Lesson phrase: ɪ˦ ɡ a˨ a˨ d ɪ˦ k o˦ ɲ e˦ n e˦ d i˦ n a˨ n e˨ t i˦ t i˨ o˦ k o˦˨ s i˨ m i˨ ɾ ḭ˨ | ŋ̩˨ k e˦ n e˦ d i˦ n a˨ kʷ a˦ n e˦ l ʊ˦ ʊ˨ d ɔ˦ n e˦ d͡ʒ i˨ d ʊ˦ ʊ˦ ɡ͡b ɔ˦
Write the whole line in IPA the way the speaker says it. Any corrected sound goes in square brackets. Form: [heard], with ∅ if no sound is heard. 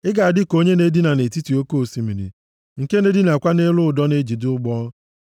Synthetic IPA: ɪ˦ ɡ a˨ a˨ d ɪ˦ k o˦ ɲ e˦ n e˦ d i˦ n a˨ n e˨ t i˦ t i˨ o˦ k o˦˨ s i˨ m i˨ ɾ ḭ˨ | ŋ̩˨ k e˦ n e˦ d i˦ n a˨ kʷ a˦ n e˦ l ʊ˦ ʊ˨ d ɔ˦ n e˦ d͡ʒ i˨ d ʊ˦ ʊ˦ ɡ͡b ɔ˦

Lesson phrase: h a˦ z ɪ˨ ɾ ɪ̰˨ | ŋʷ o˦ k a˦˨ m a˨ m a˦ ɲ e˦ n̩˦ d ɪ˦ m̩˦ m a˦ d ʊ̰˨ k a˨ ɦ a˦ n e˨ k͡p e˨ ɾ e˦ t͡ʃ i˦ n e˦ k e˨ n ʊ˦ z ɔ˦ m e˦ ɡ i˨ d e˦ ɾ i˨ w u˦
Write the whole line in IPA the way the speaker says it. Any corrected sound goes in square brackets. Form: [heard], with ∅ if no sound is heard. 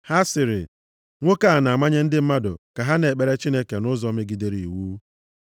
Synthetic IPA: h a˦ [s] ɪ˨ ɾ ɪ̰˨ | ŋʷ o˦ k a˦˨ [n] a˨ m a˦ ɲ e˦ n̩˦ d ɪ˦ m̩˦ m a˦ d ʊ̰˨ k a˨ ɦ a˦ n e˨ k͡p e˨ ɾ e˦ t͡ʃ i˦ n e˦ k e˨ n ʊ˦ z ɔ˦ m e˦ ɡ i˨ d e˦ ɾ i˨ w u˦

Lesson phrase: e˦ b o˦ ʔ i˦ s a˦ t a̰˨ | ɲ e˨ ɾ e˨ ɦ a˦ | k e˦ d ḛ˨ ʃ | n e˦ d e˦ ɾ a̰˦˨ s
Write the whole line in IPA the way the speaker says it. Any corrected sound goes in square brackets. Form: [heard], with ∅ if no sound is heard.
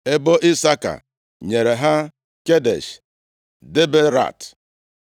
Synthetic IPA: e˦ b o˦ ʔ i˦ s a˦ [k] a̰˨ | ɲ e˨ ɾ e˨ ɦ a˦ | k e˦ d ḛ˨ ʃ | [d] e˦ [b] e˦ ɾ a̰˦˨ [t]

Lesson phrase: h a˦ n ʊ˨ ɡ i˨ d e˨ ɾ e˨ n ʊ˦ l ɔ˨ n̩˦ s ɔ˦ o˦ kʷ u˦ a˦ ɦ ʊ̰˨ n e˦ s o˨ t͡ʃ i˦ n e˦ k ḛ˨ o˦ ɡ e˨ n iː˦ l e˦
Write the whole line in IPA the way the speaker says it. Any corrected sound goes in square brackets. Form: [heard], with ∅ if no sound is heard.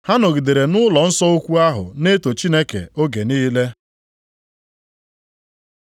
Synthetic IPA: h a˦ n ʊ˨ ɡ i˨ d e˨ ɾ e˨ n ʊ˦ l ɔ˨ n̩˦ s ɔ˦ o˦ kʷ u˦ a˦ ɦ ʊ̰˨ n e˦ [t] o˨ t͡ʃ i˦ n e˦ k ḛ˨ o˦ ɡ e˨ n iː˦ l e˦

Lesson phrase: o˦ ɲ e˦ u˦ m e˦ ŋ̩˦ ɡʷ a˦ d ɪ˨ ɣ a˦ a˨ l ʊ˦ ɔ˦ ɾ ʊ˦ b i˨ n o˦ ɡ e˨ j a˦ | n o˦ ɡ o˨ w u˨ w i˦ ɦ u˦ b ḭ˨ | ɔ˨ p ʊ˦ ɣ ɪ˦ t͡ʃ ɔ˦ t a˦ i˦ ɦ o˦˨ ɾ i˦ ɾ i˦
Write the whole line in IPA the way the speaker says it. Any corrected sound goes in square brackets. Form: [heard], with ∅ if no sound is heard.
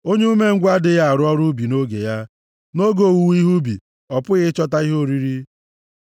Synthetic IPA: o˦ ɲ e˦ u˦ m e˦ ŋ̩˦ ɡʷ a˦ d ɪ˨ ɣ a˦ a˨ [ɾ] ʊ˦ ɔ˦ ɾ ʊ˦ b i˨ n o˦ ɡ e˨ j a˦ | n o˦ ɡ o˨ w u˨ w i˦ ɦ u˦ b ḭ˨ | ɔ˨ p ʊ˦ ɣ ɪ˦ t͡ʃ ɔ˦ t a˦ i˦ ɦ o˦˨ ɾ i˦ ɾ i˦

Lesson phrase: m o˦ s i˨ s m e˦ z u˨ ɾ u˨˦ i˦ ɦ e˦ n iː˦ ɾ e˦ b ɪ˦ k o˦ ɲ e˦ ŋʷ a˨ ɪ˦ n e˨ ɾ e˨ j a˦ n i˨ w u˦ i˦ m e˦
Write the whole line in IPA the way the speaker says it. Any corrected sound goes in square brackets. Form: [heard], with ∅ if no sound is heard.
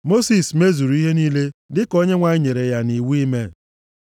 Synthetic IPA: m o˦ s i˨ s m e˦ z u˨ ɾ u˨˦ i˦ ɦ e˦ n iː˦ [l] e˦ [d] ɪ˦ k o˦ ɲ e˦ ŋʷ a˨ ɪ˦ [ɲ] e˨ ɾ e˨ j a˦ n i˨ w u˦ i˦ m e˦

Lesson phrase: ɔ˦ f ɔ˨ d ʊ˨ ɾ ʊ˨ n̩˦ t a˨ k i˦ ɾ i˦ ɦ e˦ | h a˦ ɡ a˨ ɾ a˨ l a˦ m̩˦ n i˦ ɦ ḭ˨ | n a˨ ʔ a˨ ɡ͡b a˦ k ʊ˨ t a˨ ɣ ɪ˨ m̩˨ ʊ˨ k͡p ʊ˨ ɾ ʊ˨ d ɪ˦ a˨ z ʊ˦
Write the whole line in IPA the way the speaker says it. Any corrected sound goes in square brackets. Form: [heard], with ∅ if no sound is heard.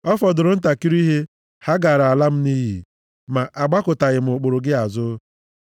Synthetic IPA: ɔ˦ f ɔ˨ d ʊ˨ ɾ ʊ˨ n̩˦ t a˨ k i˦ ɾ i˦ ɦ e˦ | h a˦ ɡ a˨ ɾ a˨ l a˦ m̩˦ n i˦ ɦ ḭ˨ | [m] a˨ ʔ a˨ ɡ͡b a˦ k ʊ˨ t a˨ ɣ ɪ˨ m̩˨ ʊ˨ k͡p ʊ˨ ɾ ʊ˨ [ɡ] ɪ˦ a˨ z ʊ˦

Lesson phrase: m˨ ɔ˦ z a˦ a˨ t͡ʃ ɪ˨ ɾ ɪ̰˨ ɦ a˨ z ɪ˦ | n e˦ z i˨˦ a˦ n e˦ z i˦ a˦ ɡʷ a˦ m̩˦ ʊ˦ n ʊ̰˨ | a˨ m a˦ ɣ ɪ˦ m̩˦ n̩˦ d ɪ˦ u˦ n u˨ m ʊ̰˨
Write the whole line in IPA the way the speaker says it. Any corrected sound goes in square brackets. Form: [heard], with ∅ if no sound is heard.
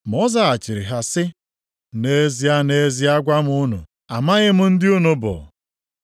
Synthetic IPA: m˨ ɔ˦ z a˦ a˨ t͡ʃ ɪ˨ ɾ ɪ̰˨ ɦ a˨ [s] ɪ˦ | n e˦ z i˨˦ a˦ n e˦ z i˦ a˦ ɡʷ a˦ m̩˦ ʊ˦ n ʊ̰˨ | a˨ m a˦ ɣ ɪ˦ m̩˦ n̩˦ d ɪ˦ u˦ n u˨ [b] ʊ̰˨

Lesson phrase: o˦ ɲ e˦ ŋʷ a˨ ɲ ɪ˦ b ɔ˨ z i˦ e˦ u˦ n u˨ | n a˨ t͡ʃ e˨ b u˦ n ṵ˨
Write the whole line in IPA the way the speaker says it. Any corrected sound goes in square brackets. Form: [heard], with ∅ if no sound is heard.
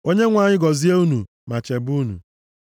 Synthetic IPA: o˦ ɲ e˦ ŋʷ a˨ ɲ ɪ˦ [ɡ] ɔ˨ z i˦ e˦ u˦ n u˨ | [m] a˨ t͡ʃ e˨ b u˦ n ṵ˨

